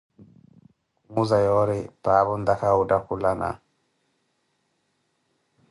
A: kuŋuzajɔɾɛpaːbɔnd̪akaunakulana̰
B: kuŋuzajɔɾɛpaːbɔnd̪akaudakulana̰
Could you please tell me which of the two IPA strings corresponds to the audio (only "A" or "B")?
B